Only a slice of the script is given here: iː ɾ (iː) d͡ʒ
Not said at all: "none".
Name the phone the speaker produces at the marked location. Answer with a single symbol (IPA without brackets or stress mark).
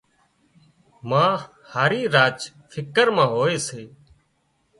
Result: aː